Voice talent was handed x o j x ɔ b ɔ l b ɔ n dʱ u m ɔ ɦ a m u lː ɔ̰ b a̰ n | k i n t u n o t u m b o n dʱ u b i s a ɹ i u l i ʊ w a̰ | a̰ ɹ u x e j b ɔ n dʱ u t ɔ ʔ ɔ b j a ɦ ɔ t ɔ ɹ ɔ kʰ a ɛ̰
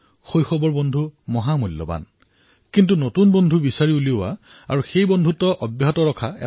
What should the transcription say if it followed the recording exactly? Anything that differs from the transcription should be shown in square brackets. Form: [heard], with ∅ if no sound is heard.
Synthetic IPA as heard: x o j x ɔ b ɔ [ɹ] b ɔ n dʱ u m ɔ ɦ a m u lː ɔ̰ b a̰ n | k i n t u n o t u [n] b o n dʱ u b i s a ɹ i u l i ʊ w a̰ | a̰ ɹ u x e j b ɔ n dʱ u t ɔ ʔ ɔ b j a ɦ ɔ t ɔ ɹ ɔ kʰ a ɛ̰